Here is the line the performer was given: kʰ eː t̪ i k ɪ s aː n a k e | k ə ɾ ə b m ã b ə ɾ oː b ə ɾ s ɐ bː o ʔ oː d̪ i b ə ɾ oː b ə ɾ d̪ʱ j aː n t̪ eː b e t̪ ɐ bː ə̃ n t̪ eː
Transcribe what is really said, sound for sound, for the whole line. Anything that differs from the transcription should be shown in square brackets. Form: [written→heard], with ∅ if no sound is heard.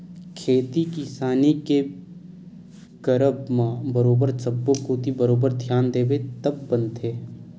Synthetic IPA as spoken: kʰ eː t̪ i k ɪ s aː n [a→i] k e | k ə ɾ ə b m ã b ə ɾ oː b ə ɾ s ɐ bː o [ʔ→k] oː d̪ i b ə ɾ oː b ə ɾ d̪ʱ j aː n [t̪→d̪] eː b e t̪ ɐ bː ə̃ n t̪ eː